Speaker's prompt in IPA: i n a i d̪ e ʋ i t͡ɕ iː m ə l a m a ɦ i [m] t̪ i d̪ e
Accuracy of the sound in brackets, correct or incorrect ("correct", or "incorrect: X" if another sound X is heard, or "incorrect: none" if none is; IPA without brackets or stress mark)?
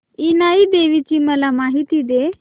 incorrect: none